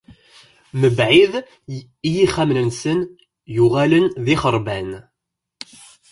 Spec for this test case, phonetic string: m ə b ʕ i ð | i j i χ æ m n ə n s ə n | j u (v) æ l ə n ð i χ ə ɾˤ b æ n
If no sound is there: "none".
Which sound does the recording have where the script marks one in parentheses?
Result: ʁ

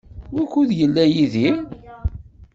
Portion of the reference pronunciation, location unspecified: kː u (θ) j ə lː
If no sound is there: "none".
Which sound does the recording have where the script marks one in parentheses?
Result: ð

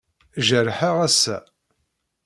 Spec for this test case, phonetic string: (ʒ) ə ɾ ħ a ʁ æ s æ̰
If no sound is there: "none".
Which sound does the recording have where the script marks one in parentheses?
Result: ʒ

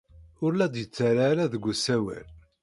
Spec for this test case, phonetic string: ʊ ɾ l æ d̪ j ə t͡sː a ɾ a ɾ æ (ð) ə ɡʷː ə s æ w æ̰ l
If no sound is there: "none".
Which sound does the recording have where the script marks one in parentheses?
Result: ð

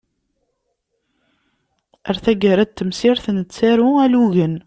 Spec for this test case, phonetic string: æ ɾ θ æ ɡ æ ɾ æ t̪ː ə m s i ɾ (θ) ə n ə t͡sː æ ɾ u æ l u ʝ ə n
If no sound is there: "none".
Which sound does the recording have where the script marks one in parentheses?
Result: θ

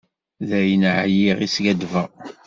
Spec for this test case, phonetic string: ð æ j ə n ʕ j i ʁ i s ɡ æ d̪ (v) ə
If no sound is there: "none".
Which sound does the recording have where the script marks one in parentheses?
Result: v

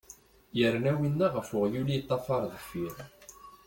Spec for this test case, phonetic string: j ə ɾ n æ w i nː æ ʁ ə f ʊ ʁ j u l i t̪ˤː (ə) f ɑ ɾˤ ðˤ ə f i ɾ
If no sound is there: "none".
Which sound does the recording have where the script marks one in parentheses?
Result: ɑ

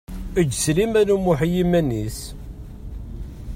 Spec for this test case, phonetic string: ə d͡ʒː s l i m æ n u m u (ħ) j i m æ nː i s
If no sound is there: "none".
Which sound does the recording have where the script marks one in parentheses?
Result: ħ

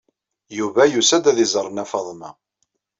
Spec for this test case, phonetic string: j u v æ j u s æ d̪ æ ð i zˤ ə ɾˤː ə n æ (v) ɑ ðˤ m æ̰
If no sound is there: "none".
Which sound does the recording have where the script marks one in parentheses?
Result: f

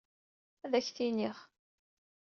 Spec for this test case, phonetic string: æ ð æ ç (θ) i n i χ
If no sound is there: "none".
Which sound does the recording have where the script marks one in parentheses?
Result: θ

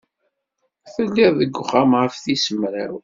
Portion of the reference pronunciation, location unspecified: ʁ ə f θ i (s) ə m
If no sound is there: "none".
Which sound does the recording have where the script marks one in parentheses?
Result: s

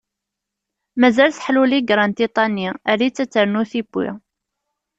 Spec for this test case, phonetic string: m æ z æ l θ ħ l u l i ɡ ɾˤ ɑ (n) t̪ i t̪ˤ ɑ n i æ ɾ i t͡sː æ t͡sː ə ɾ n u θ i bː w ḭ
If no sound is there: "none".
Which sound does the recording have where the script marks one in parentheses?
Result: n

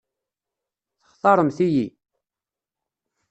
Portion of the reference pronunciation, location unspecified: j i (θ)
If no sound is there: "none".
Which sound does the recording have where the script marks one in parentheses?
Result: none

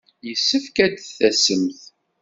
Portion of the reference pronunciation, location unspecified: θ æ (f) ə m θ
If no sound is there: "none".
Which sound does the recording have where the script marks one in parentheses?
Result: s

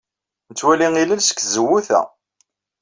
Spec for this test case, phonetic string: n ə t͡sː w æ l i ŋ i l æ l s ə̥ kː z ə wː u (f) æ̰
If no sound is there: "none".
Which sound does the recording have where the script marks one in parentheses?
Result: θ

